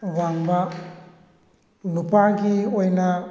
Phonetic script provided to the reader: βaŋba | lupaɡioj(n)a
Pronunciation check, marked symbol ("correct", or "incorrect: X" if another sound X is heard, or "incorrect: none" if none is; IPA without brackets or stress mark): correct